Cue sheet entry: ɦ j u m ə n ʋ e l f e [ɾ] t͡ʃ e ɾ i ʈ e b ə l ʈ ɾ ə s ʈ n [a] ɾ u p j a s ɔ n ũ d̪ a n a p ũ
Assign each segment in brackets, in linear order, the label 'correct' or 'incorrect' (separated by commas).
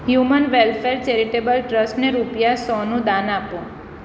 correct, incorrect